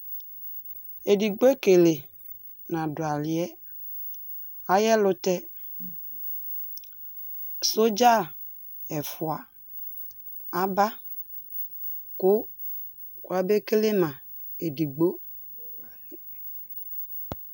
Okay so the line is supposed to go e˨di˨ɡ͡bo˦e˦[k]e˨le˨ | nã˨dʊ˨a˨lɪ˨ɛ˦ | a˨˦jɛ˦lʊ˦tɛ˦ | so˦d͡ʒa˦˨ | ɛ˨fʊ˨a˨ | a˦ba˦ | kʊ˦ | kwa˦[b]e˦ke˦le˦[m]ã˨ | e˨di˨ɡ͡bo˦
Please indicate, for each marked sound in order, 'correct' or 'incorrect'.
correct, correct, correct

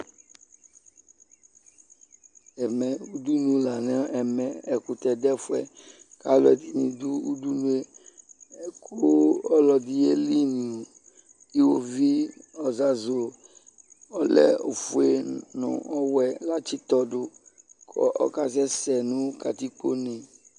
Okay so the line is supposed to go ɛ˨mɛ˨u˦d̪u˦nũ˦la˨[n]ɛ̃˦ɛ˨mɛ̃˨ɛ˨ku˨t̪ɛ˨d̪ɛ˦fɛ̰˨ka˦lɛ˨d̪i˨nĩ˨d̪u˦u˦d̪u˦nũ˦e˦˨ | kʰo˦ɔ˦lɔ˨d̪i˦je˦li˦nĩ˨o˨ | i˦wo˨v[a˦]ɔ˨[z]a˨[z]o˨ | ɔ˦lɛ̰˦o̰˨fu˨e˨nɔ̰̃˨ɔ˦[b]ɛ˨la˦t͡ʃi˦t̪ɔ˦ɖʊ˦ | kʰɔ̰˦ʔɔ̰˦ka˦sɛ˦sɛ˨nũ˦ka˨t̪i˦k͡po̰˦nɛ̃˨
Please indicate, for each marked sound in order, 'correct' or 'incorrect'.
correct, incorrect, correct, correct, incorrect

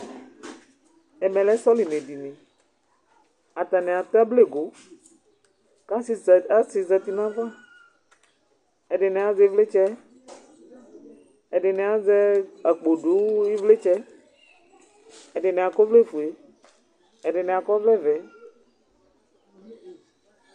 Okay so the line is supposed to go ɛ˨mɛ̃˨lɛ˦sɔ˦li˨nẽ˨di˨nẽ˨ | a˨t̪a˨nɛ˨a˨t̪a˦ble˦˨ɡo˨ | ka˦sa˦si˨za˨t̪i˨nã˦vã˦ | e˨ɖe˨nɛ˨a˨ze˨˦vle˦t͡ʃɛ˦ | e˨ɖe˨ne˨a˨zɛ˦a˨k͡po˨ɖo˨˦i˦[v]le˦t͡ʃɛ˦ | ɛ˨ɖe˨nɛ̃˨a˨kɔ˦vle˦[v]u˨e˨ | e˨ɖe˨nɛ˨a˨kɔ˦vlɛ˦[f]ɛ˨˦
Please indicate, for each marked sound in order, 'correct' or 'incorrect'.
correct, incorrect, incorrect

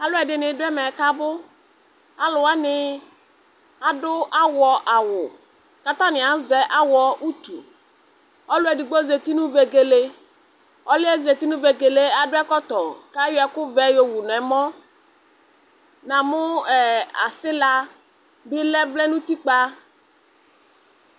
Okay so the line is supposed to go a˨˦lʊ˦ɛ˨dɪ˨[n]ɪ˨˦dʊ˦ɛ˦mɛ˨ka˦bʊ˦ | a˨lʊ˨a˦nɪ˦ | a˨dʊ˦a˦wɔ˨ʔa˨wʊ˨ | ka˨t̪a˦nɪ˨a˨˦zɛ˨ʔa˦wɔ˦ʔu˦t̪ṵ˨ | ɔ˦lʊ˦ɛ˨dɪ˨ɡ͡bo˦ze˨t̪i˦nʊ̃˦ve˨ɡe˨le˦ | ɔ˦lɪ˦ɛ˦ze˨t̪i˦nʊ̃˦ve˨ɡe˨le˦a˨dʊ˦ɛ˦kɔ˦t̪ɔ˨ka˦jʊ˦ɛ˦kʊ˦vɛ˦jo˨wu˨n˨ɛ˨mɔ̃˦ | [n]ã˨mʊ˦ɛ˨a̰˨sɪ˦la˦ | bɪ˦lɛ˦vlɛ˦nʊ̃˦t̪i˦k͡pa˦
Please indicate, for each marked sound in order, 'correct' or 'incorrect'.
correct, correct

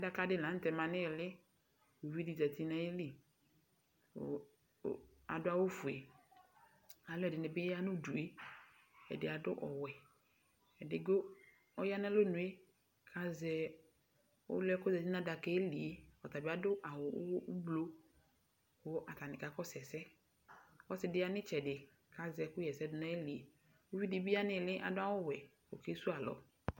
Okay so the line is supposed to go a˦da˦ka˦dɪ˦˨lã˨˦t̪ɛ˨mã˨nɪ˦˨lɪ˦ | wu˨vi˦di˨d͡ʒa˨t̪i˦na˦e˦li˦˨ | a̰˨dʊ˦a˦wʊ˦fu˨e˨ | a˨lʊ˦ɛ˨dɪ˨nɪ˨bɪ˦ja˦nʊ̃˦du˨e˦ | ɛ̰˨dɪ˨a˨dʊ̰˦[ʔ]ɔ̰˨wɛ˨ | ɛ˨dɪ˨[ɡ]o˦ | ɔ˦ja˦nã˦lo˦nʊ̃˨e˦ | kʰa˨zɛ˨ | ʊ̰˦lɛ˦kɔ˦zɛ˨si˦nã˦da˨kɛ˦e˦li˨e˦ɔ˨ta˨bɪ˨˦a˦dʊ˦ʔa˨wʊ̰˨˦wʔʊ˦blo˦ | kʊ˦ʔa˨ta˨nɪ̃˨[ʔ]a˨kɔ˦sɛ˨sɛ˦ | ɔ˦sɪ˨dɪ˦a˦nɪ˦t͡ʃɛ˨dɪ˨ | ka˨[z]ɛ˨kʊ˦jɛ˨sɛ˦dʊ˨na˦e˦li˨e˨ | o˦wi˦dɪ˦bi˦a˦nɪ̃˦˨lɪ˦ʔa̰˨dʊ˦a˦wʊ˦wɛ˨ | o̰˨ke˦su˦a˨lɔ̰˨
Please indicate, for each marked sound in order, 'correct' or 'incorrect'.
correct, correct, incorrect, correct

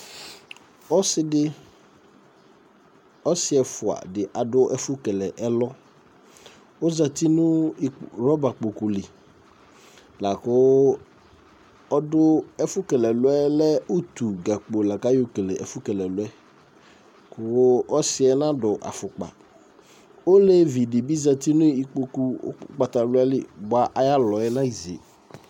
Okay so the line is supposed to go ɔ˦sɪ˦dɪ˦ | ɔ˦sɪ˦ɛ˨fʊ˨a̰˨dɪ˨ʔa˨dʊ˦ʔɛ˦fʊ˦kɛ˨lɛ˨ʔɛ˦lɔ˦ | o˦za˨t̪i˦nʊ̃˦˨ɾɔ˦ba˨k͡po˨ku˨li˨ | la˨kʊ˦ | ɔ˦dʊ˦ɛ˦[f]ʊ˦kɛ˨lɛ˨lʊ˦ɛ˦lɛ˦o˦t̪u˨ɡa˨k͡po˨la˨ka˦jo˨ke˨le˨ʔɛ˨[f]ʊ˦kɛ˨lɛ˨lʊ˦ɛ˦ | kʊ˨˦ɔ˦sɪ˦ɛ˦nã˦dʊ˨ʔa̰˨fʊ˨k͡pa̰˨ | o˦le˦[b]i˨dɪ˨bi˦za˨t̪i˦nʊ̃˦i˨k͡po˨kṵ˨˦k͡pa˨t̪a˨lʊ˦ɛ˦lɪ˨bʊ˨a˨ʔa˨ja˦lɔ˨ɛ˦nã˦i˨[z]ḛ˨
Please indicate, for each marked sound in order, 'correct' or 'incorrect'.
correct, correct, incorrect, correct

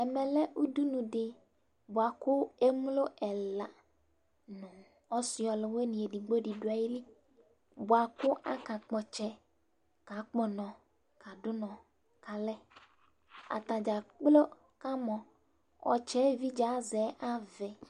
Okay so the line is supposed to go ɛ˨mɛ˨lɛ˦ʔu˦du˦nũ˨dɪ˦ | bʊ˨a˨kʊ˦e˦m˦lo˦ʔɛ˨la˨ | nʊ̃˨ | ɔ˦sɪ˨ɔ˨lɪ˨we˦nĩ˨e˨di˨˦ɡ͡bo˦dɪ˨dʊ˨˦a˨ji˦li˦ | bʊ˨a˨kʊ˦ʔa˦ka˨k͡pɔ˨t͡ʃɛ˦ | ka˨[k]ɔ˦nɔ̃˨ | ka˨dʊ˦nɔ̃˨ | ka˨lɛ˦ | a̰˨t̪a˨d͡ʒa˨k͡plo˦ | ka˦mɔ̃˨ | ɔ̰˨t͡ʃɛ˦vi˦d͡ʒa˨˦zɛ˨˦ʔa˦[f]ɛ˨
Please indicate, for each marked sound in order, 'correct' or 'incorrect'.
incorrect, incorrect

